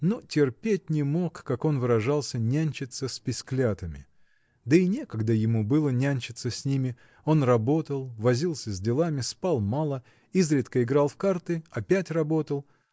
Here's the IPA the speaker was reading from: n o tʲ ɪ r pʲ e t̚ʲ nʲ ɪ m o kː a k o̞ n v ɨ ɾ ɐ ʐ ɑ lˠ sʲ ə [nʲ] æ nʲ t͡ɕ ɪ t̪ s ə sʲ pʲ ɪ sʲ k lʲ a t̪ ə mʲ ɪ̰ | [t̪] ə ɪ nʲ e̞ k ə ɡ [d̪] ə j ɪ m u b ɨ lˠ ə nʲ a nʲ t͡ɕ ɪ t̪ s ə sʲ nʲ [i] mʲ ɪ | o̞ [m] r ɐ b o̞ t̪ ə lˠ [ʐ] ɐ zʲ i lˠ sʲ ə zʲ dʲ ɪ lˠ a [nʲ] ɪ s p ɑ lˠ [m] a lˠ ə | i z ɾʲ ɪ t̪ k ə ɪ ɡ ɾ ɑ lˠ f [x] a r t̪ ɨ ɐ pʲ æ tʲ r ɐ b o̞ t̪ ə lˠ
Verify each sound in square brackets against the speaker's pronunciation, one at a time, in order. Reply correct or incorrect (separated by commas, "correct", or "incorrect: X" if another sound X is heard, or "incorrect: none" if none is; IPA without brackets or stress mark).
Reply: correct, incorrect: d̪, correct, correct, incorrect: n, incorrect: v, incorrect: mʲ, correct, incorrect: k